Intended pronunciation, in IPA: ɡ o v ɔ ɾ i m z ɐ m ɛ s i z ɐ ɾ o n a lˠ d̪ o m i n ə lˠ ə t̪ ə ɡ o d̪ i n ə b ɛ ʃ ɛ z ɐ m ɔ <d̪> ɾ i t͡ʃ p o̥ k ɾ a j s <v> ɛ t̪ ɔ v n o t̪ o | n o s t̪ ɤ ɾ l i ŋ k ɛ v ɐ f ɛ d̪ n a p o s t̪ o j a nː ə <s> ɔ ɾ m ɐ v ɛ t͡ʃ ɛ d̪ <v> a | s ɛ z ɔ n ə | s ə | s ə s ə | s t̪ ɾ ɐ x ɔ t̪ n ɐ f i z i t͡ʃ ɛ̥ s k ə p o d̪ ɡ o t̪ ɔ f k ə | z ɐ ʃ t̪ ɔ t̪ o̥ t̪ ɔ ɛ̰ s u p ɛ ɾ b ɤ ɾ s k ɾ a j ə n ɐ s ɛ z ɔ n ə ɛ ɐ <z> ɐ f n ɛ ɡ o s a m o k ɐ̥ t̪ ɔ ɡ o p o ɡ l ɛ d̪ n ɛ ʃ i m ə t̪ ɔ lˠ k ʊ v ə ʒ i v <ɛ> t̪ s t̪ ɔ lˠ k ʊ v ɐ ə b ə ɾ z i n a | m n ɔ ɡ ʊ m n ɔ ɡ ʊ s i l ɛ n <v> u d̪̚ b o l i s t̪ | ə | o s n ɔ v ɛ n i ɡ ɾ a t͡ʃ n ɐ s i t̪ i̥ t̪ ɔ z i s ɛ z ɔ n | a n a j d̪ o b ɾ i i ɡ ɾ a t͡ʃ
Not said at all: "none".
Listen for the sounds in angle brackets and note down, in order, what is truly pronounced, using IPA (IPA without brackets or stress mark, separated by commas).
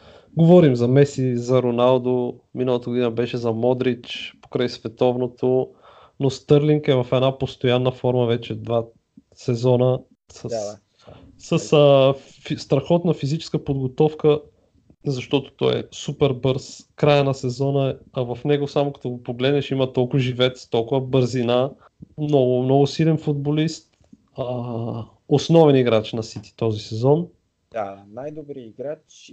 d̪, v, f, v, v, ɛ, f